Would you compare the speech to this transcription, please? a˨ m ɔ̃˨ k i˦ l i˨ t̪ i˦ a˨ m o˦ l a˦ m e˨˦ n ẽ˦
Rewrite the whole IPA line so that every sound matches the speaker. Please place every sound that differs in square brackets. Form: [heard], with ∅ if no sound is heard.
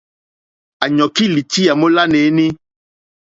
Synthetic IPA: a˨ [ɲ] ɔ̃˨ k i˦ l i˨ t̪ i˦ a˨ m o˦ l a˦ [n] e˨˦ n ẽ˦

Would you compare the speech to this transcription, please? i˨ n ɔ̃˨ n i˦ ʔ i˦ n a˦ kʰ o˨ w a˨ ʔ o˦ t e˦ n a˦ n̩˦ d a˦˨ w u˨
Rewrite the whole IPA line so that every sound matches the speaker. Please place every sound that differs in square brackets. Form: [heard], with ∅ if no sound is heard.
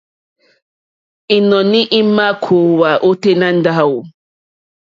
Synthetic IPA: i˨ n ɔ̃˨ n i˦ ʔ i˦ [m] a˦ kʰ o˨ w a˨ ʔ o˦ t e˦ n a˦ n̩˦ d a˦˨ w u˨

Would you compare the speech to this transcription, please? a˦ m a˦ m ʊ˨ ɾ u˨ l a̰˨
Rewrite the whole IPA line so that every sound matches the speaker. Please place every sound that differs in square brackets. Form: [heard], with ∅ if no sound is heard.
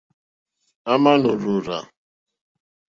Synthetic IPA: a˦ m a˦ [n] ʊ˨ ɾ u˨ [ɾ] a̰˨

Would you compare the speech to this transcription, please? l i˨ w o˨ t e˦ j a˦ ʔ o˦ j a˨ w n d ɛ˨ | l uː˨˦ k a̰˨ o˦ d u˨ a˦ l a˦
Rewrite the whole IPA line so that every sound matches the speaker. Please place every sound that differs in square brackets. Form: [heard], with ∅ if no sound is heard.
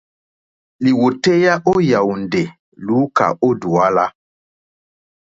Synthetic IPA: l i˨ w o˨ t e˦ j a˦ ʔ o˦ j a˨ w n d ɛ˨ | l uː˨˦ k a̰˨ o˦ d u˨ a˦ l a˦

